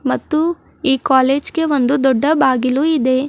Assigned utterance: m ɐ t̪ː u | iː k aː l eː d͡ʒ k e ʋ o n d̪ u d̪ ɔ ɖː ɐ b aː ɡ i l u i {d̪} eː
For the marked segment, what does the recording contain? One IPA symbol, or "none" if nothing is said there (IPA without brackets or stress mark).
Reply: d̪